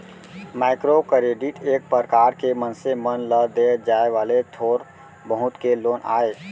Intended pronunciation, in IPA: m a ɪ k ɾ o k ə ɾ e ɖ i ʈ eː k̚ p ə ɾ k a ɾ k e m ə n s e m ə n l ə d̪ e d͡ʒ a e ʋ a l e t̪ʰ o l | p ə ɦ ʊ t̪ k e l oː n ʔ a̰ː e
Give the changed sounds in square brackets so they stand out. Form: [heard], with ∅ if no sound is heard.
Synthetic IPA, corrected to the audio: m a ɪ k ɾ o k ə ɾ e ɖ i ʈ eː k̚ p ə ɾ k a ɾ k e m ə n s e m ə n l ə d̪ e d͡ʒ a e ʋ a l e t̪ʰ o [ɾ] | [b] ə ɦ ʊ t̪ k e l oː n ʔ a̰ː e